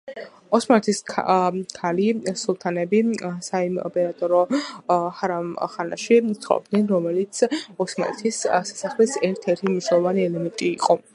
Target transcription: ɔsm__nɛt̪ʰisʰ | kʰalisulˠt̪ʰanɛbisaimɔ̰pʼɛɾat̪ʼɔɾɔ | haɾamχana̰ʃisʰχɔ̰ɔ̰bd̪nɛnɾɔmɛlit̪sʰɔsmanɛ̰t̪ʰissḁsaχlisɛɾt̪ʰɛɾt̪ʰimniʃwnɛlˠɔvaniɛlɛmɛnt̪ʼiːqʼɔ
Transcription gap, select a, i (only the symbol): a